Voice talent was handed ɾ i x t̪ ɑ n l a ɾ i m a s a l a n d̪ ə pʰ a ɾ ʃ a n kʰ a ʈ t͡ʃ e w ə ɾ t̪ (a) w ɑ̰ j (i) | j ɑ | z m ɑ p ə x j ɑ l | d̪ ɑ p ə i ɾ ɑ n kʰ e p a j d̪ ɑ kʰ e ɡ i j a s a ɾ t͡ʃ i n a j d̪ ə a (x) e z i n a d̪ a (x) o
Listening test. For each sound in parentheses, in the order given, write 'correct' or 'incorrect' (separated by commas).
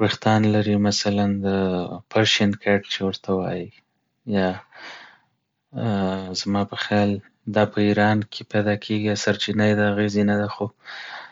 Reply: correct, correct, incorrect, correct